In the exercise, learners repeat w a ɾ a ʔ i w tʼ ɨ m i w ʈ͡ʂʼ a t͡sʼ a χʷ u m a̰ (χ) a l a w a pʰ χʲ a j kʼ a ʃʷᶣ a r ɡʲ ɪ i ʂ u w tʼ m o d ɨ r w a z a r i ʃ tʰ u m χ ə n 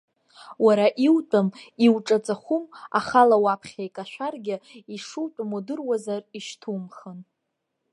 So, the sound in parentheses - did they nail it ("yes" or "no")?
yes